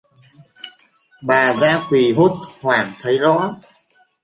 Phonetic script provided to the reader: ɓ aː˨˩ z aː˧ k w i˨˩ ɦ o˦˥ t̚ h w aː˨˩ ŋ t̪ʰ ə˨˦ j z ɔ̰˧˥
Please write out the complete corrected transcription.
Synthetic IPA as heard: ɓ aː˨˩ z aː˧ k w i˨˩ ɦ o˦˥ t̚ h w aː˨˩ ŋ t̪ʰ ə˨˦ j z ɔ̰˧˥

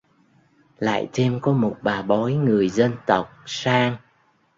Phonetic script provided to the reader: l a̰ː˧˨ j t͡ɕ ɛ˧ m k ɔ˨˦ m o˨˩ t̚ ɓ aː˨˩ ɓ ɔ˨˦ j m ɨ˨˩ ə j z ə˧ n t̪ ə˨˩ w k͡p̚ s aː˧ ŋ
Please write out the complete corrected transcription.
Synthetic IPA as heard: l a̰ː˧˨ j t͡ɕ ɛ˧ m k ɔ˨˦ m o˨˩ t̚ ɓ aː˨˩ ɓ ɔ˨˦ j ŋ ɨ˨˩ ə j z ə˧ n t̪ ə˨˩ w k͡p̚ s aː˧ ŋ

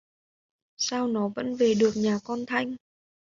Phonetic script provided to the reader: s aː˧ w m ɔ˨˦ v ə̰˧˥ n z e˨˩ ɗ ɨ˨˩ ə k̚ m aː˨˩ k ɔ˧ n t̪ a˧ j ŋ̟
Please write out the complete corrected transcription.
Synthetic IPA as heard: s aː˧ w n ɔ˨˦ v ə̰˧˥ n v e˨˩ ɗ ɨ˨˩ ə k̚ ɲ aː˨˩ k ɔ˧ n t̪ʰ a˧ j ŋ̟

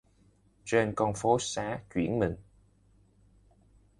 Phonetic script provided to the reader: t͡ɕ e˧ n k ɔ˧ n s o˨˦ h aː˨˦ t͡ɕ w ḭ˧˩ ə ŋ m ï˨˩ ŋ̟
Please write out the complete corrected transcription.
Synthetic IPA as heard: t͡ɕ e˧ n k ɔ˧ n f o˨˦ s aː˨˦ t͡ɕ w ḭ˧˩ ə n m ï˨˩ ŋ̟

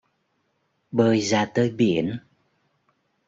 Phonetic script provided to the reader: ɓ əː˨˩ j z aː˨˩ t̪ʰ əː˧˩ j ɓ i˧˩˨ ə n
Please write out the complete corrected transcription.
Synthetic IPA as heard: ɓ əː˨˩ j z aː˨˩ t̪ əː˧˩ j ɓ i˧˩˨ ə n

